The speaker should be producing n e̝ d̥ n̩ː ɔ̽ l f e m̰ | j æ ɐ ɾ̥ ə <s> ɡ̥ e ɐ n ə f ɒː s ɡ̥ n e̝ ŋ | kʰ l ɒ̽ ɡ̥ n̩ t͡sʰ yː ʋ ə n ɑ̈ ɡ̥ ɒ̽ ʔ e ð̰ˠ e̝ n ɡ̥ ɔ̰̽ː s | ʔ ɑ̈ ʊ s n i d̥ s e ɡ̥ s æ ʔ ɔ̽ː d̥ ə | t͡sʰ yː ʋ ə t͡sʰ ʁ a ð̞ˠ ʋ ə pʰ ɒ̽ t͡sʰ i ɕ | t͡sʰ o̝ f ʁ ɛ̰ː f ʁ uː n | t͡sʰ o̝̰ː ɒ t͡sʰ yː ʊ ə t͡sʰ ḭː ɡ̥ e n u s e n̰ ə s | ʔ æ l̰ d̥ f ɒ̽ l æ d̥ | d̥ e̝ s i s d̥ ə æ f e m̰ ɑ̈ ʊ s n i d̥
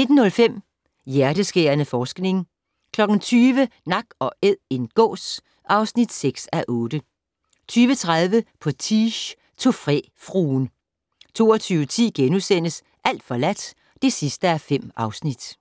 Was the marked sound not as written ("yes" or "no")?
no